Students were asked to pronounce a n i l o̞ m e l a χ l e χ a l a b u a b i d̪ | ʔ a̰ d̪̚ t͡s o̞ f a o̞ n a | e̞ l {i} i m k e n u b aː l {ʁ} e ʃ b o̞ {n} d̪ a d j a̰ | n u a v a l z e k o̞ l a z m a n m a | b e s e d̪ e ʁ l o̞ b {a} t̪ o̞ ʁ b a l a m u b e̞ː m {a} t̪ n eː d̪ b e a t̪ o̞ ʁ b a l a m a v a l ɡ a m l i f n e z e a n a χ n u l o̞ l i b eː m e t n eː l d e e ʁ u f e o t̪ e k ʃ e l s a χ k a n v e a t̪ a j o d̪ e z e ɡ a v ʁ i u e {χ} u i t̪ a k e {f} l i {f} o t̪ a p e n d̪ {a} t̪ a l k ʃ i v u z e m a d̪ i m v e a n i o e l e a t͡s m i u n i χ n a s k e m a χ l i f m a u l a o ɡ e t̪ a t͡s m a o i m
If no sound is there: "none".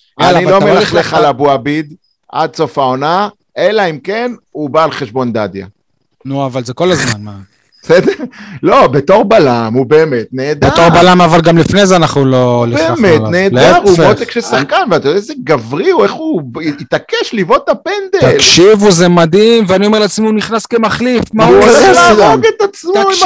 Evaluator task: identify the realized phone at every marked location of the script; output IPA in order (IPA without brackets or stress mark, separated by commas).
a, χ, n, e, e, χ, ʃ, v, e